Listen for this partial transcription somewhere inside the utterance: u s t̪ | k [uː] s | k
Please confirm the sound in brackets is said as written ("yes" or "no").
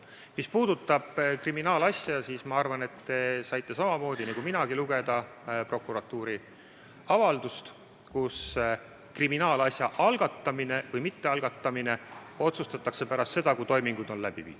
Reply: no